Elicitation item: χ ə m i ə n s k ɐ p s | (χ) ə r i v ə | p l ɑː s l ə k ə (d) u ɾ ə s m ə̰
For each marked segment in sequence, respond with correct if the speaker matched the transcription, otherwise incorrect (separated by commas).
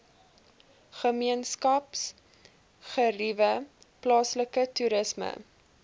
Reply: correct, incorrect